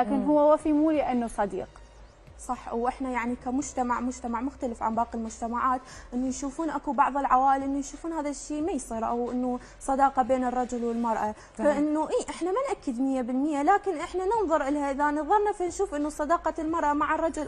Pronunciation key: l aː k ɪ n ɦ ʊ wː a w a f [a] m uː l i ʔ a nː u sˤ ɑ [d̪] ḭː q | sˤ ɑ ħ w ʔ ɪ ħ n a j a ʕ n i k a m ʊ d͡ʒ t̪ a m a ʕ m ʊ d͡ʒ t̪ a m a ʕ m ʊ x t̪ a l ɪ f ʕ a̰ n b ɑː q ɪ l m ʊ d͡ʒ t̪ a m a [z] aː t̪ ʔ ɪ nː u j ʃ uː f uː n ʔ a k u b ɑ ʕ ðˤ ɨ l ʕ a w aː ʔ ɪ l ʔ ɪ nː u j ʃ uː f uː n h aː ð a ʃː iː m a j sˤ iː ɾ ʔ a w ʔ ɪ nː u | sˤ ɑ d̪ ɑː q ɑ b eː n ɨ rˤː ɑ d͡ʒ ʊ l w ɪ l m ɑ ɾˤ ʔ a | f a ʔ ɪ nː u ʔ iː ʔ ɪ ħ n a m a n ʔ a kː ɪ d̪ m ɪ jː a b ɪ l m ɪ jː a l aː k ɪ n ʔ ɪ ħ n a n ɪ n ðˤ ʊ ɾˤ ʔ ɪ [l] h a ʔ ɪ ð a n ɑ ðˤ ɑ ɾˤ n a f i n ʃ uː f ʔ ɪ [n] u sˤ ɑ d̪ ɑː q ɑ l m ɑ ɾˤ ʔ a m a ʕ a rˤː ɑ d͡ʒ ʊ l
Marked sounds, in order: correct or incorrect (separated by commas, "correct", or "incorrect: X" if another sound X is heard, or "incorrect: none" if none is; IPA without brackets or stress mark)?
incorrect: i, correct, incorrect: ʕ, correct, incorrect: nː